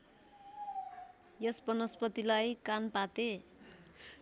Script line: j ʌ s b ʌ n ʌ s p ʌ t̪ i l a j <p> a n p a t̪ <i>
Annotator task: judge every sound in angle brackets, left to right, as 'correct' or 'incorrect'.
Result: incorrect: k, incorrect: e

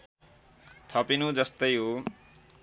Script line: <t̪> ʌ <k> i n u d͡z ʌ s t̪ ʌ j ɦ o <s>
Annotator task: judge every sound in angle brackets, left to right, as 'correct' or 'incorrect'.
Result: incorrect: t̪ʰ, incorrect: p, incorrect: none

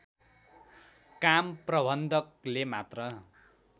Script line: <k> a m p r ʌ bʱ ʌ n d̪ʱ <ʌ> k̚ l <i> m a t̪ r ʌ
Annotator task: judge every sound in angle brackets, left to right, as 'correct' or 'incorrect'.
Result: correct, correct, incorrect: e

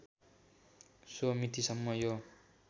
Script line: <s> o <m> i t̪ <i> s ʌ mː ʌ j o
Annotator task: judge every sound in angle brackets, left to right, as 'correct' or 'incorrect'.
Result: correct, correct, correct

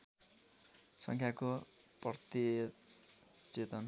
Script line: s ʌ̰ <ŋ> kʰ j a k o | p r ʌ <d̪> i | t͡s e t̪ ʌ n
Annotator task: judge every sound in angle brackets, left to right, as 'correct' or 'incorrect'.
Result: correct, incorrect: t̪

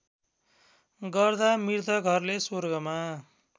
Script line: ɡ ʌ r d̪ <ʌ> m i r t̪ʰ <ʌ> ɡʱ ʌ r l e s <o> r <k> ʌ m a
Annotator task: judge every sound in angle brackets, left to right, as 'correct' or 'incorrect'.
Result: incorrect: a, correct, correct, incorrect: ɡ

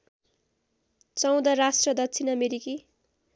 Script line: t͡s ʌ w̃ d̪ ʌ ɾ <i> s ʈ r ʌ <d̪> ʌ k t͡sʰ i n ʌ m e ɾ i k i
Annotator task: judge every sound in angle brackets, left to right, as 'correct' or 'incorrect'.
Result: incorrect: a, correct

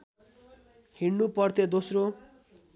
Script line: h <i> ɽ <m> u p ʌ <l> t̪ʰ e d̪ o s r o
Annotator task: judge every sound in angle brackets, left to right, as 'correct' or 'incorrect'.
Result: correct, incorrect: n, incorrect: r

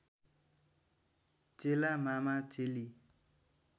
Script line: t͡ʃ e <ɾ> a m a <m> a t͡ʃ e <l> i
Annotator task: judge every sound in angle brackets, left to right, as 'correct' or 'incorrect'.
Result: incorrect: l, correct, correct

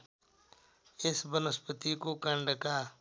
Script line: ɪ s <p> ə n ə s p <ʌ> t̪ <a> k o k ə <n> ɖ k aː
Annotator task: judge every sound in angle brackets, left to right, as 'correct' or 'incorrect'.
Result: incorrect: b, incorrect: ə, incorrect: i, incorrect: ɳ

